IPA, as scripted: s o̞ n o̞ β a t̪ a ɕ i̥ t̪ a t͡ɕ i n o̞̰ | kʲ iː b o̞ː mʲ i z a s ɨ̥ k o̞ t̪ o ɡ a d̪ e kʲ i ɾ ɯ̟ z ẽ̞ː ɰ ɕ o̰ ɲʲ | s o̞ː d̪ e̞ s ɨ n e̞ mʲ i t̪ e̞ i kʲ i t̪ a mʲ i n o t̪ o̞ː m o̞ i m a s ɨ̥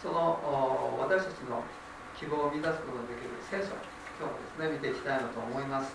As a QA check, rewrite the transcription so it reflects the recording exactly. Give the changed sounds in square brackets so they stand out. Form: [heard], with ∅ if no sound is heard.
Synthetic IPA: s o̞ n o̞ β a t̪ a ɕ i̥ t̪ a t͡ɕ i n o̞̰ | kʲ [i] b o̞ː mʲ i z a s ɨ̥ k o̞ t̪ o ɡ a d̪ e kʲ i ɾ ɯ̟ [s] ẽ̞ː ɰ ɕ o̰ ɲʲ | s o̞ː d̪ e̞ s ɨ n e̞ mʲ i t̪ e̞ i kʲ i t̪ a [∅] i n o t̪ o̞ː m o̞ i m a s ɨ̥